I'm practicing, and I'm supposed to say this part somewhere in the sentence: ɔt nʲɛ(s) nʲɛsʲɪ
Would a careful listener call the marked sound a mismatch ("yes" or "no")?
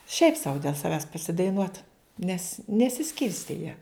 no